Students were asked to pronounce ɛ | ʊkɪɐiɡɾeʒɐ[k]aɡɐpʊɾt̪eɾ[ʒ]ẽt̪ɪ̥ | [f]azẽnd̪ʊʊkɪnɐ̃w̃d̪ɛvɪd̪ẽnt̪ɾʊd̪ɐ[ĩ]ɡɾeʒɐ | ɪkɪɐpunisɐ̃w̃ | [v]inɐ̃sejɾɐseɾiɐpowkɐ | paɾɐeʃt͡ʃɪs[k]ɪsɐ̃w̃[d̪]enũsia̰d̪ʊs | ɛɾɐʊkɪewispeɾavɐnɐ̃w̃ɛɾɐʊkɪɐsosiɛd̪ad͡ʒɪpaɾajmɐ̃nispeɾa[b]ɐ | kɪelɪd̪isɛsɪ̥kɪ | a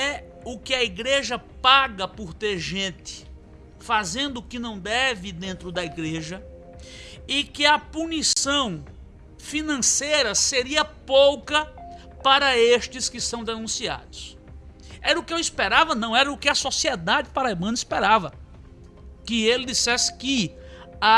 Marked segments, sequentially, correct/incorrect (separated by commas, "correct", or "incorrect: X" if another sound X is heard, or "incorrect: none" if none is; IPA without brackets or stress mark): incorrect: p, correct, correct, incorrect: i, incorrect: f, correct, correct, incorrect: v